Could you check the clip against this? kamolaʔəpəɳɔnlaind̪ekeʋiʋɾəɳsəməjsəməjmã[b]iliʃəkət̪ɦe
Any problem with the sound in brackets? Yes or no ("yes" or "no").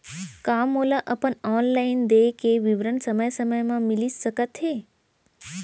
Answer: yes